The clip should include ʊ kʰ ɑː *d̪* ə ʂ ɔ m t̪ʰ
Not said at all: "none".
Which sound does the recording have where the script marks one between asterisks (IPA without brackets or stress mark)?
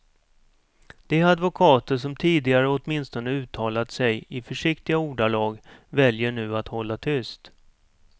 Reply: t̪